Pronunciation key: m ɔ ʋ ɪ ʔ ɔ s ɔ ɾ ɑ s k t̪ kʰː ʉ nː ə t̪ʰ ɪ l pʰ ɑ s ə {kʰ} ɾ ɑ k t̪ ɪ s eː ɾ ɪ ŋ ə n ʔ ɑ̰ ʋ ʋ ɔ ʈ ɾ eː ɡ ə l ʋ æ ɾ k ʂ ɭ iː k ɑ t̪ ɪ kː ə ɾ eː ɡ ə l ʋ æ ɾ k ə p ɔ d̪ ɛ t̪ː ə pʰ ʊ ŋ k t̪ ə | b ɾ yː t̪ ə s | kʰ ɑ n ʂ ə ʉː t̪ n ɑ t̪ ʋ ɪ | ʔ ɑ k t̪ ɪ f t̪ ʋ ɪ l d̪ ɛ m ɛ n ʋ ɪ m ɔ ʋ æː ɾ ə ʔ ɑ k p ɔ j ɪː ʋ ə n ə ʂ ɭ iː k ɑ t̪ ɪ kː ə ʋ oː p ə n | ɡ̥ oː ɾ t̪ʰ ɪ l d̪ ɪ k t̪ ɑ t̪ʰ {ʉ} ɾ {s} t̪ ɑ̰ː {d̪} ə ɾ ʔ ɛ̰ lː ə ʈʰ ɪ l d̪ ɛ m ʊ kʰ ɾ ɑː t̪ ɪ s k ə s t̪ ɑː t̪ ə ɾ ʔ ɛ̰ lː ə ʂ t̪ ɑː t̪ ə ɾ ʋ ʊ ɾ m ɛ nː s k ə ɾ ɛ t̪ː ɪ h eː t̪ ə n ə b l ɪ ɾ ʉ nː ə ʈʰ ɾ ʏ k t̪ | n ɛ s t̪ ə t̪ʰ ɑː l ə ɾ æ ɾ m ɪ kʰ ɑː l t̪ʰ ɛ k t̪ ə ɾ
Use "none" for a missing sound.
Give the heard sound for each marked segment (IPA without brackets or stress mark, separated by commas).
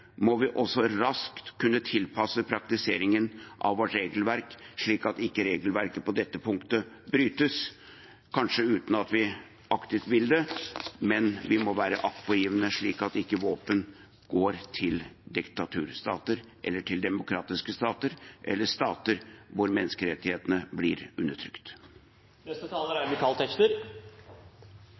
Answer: pʰ, ʉː, s, t̪